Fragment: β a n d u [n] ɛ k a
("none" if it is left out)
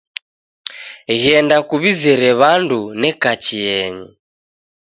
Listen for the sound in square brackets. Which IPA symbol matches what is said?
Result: n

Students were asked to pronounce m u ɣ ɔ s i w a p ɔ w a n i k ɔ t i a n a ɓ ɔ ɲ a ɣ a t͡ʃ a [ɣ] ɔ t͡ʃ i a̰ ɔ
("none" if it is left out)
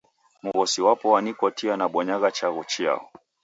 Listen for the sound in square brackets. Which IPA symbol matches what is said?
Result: ɣ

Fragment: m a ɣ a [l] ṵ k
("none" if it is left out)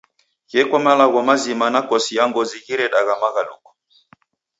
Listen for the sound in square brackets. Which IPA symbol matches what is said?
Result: l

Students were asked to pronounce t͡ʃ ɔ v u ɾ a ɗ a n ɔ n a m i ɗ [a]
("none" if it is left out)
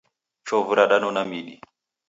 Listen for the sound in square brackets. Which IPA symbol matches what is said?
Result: i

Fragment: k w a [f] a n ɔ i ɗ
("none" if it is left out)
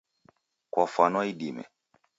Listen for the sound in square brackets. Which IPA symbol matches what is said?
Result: f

